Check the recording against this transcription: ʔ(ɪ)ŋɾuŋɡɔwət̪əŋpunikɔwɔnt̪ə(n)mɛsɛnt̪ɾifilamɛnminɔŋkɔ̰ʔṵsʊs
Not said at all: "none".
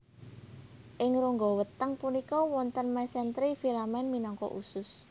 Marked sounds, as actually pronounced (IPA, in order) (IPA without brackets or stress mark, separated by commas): ɪ, n